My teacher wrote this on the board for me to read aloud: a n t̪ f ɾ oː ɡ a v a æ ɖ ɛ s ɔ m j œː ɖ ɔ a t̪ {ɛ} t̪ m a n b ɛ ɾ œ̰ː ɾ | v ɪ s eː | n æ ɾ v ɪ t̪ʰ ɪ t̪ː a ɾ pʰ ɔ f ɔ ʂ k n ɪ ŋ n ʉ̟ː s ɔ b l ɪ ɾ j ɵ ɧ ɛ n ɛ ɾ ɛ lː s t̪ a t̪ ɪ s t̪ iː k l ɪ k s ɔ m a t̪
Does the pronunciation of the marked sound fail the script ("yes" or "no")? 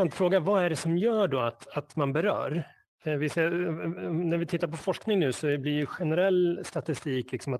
yes